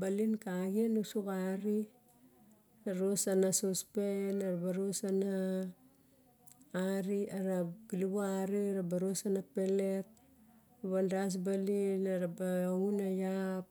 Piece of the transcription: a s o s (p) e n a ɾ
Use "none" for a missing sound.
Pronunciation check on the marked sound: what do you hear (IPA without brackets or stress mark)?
p